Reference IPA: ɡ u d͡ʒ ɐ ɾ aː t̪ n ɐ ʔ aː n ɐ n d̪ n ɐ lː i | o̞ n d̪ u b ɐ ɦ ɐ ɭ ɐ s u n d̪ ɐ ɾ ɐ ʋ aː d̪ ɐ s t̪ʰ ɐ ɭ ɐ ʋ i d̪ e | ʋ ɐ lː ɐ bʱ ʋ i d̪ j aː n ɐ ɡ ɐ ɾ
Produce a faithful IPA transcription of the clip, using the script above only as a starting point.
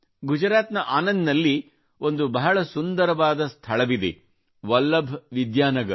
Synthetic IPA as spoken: ɡ u d͡ʒ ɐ ɾ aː t̪ n ɐ ʔ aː n ɐ n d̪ n ɐ lː i | o̞ n d̪ u b ɐ ɦ ɐ ɭ ɐ s u n d̪ ɐ ɾ ɐ ʋ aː d̪ ɐ s t̪ʰ ɐ ɭ ɐ ʋ i d̪ e | ʋ ɐ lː ɐ bʱ ʋ i d̪ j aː n ɐ ɡ ɐ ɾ

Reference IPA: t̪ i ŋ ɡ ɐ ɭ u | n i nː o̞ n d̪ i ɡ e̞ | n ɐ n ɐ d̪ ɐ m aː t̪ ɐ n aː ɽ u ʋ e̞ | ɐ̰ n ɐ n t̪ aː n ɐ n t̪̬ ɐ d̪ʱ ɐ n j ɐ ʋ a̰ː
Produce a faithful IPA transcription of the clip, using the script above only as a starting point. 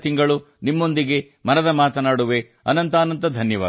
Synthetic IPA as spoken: t̪ i ŋ ɡ ɐ ɭ u | n i mː o̞ n d̪ i ɡ e̞ | m ɐ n ɐ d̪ ɐ m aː t̪ ɐ n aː ɽ u ʋ e̞ | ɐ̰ n ɐ n t̪ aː n ɐ n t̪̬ ɐ d̪ʱ ɐ n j ɐ ʋ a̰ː

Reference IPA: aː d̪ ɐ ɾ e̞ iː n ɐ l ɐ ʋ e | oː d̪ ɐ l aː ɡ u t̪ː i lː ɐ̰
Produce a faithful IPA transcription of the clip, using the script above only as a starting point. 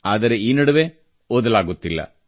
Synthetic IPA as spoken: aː d̪ ɐ ɾ e̞ iː n ɐ ɽ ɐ ʋ e | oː d̪ ɐ l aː ɡ u t̪ː i lː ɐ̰

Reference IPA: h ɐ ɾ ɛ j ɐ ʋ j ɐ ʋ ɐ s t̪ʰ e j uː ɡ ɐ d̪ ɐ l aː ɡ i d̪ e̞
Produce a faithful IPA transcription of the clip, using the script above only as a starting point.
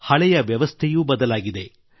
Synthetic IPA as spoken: h ɐ ɭ ɛ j ɐ ʋ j ɐ ʋ ɐ s t̪ʰ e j uː b ɐ d̪ ɐ l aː ɡ i d̪ e̞

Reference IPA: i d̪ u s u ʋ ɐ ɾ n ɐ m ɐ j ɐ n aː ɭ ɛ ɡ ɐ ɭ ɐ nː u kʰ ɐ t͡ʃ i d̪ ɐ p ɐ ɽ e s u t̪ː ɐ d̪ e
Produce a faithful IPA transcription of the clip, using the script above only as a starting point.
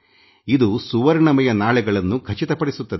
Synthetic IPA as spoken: i d̪ u s u ʋ ɐ ɾ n ɐ m ɐ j ɐ n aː ɭ ɛ ɡ ɐ ɭ ɐ nː u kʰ ɐ t͡ʃ i t̪ ɐ p ɐ ɽ i s u t̪ː ɐ d̪ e

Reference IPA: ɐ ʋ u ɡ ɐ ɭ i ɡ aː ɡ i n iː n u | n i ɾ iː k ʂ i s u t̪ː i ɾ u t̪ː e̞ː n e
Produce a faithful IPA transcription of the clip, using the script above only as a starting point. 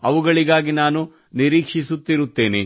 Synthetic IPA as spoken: ɐ ʋ u ɡ ɐ ɭ i ɡ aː ɡ i n aː n u | n i ɾ iː k ʂ i s u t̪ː i ɾ u t̪ː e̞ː n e

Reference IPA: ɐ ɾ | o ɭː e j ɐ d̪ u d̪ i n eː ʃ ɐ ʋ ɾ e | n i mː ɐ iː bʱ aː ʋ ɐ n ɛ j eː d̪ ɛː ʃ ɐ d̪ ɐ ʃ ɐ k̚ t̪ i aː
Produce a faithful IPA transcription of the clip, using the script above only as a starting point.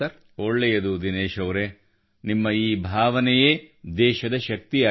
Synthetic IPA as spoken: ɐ ɾ | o ɭː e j ɐ d̪ u d̪ i n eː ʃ ɐ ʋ ɾ e | n i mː ɐ iː bʱ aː ʋ ɐ n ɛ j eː d̪ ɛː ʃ ɐ d̪ ɐ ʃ ɐ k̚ t̪ i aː

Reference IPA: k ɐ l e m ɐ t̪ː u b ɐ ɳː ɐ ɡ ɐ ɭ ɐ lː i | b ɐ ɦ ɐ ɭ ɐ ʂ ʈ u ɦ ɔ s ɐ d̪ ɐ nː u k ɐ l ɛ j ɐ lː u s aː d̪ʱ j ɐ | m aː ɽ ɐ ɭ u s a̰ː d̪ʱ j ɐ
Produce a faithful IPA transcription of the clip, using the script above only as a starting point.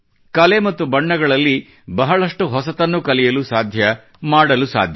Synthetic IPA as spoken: k ɐ l e m ɐ t̪ː u b ɐ ɳː ɐ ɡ ɐ ɭ ɐ lː i | b ɐ ɦ ɐ ɭ ɐ ʂ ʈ u ɦ ɔ s ɐ t̪ ɐ nː u k ɐ l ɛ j ɐ l u s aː d̪ʱ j ɐ | m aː ɽ ɐ l u s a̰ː d̪ʱ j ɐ

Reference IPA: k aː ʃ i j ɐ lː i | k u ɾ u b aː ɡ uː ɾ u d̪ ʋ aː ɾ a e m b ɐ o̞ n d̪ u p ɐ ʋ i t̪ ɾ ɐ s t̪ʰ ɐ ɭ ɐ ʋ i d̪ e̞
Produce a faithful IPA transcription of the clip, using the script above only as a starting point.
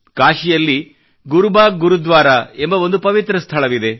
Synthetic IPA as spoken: k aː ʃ i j ɐ lː i | ɡ u ɾ u b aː ɡ u ɾ u d̪ ʋ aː ɾ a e m b ɐ o̞ n d̪ u p ɐ ʋ i t̪ ɾ ɐ s t̪ʰ ɐ ɭ ɐ ʋ i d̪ e̞

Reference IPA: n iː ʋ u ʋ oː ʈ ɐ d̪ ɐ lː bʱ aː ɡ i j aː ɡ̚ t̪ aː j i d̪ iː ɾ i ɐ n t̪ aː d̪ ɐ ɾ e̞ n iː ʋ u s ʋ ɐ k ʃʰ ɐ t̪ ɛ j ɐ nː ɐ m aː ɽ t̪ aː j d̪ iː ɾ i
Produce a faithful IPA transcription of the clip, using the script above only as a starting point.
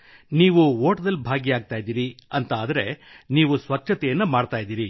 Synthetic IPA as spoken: n iː ʋ u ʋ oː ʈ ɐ d̪ ɐ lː bʱ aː ɡ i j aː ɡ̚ t̪ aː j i d̪ iː ɾ i ɐ n t̪ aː d̪ ɐ ɾ e̞ n iː ʋ u s ʋ ɐ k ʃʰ ɐ t̪ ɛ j ɐ nː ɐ m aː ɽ t̪ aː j d̪ iː ɾ i

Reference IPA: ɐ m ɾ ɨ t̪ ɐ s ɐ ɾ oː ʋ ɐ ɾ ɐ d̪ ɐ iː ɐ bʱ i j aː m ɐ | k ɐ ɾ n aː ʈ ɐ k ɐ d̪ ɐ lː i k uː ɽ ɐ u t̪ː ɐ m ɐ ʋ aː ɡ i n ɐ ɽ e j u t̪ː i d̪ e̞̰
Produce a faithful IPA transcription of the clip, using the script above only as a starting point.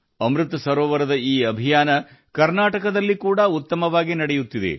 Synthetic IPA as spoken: ɐ m ɾ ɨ t̪ ɐ s ɐ ɾ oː ʋ ɐ ɾ ɐ d̪ ɐ iː ɐ bʱ i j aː n ɐ | k ɐ ɾ n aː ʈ ɐ k ɐ d̪ ɐ lː i k uː ɽ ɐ u t̪ː ɐ m ɐ ʋ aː ɡ i n ɐ ɽ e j u t̪ː i d̪ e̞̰

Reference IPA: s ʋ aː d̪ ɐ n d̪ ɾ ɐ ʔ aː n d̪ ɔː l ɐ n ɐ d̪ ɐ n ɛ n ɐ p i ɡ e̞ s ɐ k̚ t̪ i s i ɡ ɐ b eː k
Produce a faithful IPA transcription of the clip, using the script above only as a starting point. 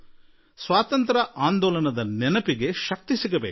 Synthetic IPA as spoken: s ʋ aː t̪ ɐ n t̪ ɾ ɐ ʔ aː n d̪ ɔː l ɐ n ɐ d̪ ɐ n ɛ n ɐ p i ɡ e̞ ʃ ɐ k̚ t̪ i s i ɡ ɐ b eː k

